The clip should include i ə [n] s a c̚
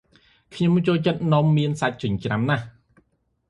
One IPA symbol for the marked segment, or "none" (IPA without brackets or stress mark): n